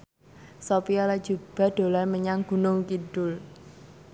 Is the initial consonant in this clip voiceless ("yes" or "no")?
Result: yes